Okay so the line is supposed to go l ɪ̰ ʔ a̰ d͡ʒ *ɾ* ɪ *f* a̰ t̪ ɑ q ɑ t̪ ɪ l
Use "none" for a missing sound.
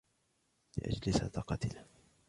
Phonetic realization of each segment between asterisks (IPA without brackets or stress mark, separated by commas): l, s